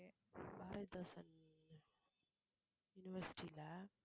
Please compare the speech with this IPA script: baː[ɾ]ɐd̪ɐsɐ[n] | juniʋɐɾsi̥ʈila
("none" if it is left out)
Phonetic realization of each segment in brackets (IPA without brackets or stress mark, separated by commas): ɾ, n